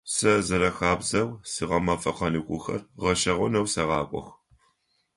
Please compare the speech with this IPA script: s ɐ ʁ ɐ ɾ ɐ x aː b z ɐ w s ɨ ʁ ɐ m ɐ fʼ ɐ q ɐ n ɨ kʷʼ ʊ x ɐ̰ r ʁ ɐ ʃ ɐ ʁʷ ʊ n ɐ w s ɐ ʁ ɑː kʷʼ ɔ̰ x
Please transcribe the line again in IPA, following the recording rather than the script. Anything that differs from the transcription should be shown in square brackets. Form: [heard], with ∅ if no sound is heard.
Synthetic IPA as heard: s ɐ [z] ɐ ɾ ɐ x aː b z ɐ w s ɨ ʁ ɐ m ɐ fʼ ɐ q ɐ n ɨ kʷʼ ʊ x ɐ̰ r ʁ ɐ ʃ ɐ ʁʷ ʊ n ɐ w s ɐ ʁ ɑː kʷʼ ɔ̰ x